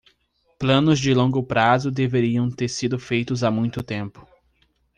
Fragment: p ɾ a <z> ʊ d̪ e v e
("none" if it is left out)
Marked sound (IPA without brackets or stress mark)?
z